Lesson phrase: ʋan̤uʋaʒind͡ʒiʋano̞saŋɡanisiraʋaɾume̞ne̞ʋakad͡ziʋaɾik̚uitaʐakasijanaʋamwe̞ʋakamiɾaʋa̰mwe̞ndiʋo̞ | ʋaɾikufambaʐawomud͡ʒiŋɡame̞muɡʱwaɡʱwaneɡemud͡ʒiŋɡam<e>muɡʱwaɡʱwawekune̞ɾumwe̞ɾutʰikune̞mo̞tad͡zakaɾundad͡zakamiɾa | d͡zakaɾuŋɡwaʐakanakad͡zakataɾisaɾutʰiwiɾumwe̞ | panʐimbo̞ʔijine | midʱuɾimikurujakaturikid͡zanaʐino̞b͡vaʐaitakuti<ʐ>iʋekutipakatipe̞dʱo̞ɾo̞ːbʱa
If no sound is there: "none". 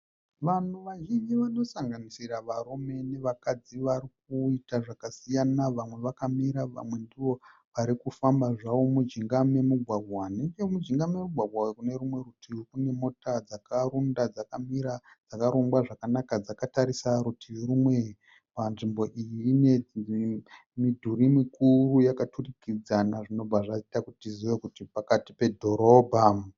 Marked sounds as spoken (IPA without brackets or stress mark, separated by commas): e, z